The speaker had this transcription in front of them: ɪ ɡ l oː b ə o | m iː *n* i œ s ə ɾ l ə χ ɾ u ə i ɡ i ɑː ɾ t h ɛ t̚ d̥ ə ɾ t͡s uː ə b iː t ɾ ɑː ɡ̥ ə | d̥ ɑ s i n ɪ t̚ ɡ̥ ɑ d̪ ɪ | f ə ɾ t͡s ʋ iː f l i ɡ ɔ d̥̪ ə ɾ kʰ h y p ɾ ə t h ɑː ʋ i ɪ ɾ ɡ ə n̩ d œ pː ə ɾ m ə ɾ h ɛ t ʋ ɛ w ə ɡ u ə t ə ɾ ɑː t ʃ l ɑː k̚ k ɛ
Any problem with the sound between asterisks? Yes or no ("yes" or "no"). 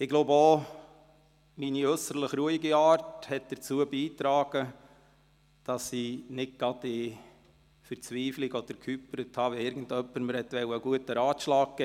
no